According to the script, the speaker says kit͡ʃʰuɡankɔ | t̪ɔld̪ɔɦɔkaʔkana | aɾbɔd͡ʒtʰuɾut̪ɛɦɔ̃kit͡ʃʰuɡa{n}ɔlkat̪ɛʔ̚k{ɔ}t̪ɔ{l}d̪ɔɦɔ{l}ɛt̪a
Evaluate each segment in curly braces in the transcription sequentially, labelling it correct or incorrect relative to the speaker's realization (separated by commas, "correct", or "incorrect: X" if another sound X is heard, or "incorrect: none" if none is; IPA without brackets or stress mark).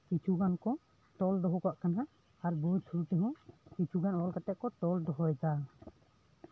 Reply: correct, correct, correct, incorrect: none